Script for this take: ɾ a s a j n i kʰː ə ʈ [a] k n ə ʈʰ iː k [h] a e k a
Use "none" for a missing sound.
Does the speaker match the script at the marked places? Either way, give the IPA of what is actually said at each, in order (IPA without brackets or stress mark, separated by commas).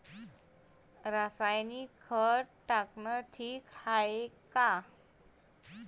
a, h